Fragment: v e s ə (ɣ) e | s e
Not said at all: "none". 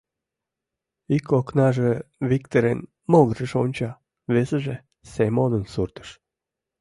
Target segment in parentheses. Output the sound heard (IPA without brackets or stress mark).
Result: ʒ